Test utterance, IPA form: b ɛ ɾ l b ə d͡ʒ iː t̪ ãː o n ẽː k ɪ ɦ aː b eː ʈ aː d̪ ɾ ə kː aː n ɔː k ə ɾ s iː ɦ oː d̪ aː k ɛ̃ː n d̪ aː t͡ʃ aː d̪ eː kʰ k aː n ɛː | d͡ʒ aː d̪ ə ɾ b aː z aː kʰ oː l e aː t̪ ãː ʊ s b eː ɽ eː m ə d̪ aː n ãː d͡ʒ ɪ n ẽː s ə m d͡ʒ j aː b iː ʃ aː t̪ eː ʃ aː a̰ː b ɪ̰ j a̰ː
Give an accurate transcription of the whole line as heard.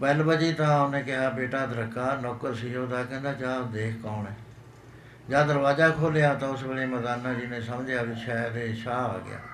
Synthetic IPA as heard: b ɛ l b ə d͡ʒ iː t̪ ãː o n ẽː k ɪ ɦ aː b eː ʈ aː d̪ ɾ ə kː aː n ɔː k ə ɾ s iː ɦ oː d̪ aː k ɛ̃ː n d̪ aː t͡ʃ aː d̪ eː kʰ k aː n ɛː | d͡ʒ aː d̪ ə ɾ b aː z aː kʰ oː l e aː t̪ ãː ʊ s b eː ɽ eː m ə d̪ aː n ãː d͡ʒ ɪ n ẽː s ə m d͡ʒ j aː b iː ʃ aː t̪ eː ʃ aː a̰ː ɡ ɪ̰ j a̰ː